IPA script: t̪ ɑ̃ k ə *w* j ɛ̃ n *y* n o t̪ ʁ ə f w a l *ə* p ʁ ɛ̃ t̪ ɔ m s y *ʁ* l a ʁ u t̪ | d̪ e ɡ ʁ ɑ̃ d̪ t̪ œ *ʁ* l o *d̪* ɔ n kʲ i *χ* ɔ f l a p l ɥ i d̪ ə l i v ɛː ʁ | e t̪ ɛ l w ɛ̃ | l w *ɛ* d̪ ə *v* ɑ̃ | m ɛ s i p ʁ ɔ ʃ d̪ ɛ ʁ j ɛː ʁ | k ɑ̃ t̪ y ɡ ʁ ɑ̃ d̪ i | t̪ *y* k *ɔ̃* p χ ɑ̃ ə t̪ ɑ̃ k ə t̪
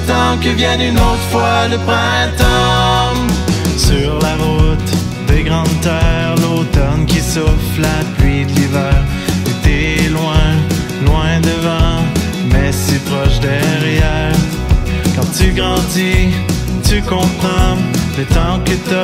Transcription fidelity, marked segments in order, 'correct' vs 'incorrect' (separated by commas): incorrect, correct, correct, correct, correct, incorrect, incorrect, incorrect, correct, correct, correct